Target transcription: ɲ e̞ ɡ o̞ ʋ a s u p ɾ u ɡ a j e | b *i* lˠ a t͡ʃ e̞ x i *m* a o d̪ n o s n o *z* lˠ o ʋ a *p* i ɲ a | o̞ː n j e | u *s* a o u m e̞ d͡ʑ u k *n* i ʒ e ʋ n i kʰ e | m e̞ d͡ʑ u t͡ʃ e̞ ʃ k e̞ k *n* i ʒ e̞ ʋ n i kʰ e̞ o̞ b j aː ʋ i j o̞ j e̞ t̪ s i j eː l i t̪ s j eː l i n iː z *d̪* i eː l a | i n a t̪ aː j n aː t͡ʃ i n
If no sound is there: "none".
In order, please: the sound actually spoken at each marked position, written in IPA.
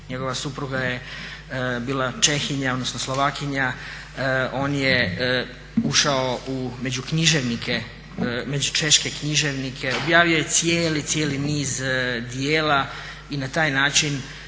iː, ɲ, s, k, ʃ, ɲ, ɲ, d̪

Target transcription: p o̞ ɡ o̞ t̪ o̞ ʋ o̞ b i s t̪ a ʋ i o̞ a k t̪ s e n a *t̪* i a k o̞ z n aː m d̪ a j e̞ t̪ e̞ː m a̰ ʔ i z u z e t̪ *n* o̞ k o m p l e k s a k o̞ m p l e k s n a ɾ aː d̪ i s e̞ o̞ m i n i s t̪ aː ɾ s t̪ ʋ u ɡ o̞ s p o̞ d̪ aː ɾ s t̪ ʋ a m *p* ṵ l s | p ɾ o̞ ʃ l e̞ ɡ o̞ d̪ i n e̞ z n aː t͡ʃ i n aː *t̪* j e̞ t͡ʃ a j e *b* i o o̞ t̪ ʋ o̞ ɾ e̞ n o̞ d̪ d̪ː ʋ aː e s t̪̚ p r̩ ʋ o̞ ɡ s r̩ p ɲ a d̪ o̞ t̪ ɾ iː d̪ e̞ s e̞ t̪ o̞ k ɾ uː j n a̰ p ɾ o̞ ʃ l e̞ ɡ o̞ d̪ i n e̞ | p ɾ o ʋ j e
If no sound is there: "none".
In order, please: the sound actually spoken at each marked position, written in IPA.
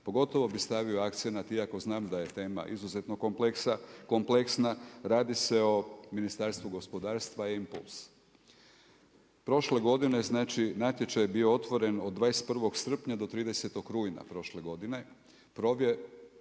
t̪, n, p, t̪, b

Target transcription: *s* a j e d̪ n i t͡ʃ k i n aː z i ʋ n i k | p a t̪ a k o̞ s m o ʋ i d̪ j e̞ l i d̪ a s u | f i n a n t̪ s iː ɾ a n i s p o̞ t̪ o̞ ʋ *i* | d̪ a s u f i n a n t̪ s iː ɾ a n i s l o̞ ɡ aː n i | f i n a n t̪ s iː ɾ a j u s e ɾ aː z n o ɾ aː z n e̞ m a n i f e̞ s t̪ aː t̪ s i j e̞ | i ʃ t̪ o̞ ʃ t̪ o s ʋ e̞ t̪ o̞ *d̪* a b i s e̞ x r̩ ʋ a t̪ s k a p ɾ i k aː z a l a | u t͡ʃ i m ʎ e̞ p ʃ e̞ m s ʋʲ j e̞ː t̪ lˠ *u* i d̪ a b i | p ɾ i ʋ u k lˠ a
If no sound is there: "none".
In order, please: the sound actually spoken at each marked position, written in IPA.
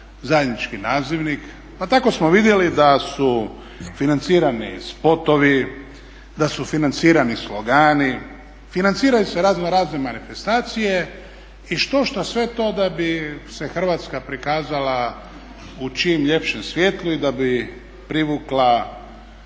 z, i, d̪, u

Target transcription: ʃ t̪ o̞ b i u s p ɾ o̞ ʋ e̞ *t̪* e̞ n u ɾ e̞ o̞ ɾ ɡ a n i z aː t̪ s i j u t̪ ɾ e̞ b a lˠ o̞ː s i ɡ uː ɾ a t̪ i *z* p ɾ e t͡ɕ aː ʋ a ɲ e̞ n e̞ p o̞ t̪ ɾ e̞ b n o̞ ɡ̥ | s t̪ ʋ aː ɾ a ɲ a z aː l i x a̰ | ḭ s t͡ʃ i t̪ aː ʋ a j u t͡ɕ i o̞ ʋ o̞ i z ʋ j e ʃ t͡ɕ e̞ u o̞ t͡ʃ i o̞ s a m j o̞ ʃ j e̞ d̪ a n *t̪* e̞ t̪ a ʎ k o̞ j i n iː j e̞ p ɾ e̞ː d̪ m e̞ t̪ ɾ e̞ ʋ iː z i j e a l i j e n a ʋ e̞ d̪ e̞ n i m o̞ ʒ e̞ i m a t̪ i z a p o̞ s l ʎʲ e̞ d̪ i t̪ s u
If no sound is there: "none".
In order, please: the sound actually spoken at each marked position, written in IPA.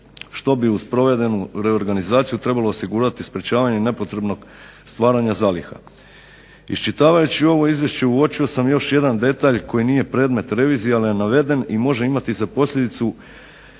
d̪, s, d̪

